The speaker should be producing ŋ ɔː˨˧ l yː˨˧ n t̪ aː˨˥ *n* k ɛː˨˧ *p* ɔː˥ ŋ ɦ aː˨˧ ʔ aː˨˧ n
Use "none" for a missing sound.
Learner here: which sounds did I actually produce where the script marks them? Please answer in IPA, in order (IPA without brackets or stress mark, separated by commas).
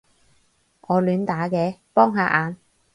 none, p